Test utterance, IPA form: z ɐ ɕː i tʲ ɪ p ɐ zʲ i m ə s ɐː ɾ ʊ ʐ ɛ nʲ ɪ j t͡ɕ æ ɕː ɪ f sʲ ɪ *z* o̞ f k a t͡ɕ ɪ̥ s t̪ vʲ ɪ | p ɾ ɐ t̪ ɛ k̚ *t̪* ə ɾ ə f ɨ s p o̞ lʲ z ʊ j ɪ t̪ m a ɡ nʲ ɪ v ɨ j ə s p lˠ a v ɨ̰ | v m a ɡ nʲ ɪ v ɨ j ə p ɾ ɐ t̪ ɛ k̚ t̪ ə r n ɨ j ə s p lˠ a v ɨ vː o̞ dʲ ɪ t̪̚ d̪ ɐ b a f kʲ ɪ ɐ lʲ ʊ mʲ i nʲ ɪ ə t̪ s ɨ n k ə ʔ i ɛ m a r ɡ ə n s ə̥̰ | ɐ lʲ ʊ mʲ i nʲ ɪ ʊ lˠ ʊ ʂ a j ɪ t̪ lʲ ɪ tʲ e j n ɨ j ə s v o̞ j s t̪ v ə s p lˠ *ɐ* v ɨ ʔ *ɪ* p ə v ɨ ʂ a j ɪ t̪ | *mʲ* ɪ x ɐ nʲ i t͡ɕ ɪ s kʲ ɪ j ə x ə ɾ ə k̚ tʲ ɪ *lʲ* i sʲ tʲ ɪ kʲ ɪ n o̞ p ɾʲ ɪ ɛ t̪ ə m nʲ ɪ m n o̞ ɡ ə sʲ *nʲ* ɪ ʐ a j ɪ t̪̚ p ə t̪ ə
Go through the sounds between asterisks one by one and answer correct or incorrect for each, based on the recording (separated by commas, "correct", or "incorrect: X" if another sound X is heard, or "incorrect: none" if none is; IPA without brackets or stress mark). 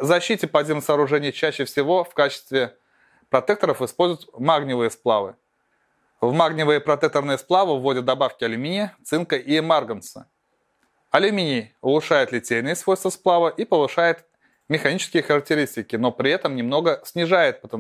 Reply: incorrect: v, correct, incorrect: a, incorrect: i, correct, incorrect: ɾʲ, correct